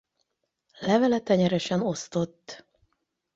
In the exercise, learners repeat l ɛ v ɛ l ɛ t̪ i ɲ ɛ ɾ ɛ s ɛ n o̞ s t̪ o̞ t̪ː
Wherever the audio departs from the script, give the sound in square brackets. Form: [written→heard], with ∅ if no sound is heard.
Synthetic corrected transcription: l ɛ v ɛ l ɛ t̪ [i→ɛ] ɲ ɛ ɾ ɛ [s→ʃ] ɛ n o̞ s t̪ o̞ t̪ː